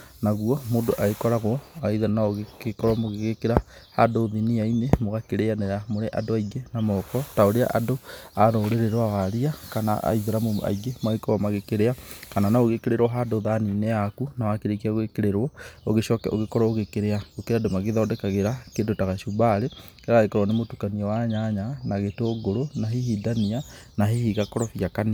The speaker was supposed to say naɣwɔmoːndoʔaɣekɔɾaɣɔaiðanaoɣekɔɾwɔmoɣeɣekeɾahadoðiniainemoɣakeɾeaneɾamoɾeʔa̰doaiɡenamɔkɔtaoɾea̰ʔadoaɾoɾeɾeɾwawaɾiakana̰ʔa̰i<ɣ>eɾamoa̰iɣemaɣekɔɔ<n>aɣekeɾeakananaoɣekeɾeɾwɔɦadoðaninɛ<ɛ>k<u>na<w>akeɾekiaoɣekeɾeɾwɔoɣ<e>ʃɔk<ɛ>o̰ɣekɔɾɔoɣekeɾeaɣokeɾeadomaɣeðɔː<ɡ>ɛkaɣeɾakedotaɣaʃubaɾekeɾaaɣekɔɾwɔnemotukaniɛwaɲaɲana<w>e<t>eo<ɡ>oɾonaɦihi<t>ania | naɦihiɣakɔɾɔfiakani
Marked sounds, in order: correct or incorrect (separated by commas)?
incorrect, incorrect, incorrect, correct, correct, correct, correct, incorrect, incorrect, correct, correct, incorrect